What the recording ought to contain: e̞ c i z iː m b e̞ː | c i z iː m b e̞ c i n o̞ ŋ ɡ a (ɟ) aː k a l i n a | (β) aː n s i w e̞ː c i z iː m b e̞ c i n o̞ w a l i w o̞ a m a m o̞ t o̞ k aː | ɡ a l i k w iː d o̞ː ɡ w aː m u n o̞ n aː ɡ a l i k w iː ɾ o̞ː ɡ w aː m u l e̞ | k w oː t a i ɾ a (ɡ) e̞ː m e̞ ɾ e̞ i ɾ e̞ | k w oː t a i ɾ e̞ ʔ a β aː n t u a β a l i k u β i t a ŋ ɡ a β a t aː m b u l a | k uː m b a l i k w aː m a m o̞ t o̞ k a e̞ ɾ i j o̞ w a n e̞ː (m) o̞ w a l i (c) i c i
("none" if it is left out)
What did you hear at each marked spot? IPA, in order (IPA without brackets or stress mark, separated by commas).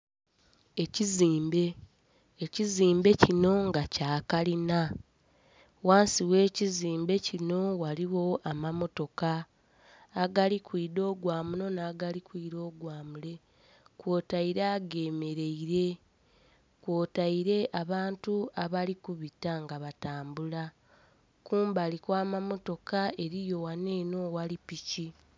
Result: c, w, ɡ, n, p